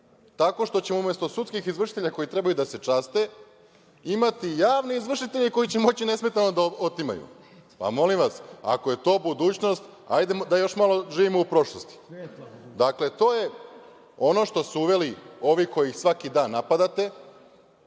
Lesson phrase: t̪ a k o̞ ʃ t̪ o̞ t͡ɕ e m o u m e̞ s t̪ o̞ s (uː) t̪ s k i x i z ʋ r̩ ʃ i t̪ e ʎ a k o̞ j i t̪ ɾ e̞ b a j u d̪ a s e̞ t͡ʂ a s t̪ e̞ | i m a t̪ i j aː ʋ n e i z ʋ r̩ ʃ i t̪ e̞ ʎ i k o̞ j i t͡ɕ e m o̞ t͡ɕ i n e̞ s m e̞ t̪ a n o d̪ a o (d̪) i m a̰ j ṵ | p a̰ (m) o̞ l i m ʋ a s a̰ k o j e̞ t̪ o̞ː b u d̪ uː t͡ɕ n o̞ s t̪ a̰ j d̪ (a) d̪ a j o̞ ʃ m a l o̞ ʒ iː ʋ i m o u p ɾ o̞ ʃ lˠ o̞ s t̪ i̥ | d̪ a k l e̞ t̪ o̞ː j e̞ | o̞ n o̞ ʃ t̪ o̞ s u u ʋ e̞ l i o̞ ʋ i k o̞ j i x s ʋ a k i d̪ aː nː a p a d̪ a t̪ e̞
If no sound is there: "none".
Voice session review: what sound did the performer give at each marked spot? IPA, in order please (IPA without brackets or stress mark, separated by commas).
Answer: u, t̪, m, e